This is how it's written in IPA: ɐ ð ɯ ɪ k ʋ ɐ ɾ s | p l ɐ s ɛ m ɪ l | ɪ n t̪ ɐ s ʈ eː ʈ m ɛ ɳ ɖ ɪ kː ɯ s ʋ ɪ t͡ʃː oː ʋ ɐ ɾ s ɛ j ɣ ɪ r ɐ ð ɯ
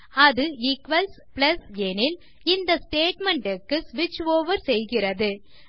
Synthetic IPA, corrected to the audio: ɐ ð ɯ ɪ k ʋ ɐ l s | p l ɐ s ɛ n ɪ l | ɪ n d̪ ɐ s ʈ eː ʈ m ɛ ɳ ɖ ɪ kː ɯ s ʋ ɪ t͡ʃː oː ʋ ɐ ɾ s ɛ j ɣ ɪ r ɐ ð ɯ